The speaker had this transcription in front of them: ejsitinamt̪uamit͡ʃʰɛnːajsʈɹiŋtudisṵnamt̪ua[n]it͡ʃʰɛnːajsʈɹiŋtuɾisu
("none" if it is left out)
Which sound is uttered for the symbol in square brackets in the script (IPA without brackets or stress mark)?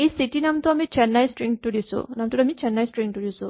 m